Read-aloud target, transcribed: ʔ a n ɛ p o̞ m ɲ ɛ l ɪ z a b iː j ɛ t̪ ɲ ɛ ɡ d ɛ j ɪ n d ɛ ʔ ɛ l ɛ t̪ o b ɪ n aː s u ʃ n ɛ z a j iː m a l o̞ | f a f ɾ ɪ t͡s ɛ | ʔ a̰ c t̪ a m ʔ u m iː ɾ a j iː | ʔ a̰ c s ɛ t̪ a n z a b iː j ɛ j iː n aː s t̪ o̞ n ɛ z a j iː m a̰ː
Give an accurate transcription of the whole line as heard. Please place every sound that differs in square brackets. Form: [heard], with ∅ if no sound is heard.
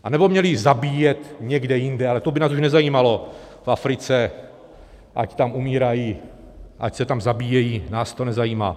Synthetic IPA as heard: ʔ a n ɛ [b] o̞ m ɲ ɛ l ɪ z a b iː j ɛ t̪ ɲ ɛ ɡ d ɛ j ɪ n d ɛ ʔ [a] l ɛ t̪ o b ɪ n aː s u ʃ n ɛ z a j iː m a l o̞ | f a f ɾ ɪ t͡s ɛ | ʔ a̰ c t̪ a m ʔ u m iː ɾ a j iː | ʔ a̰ c s ɛ t̪ a [m] z a b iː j ɛ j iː n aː s t̪ o̞ n ɛ z a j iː m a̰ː